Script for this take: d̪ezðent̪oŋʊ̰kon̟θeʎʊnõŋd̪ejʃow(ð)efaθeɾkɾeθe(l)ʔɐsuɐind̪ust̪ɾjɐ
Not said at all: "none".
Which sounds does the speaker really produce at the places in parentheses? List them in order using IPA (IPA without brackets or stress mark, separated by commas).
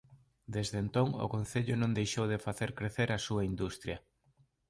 ð, ɾ